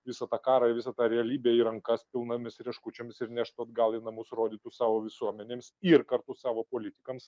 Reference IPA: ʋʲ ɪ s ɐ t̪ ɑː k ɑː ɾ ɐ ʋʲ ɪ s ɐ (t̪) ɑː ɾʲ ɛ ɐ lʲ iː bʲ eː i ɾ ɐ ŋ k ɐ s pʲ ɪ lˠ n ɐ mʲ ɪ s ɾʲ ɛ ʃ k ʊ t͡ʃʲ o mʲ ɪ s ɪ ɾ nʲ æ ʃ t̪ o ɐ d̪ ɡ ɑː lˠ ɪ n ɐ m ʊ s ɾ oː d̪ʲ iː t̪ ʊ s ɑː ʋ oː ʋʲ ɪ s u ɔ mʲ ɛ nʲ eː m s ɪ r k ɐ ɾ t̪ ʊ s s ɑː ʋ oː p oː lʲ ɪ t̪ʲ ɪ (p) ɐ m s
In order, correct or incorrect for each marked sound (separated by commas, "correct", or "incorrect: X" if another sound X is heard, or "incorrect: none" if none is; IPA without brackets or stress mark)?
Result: correct, incorrect: k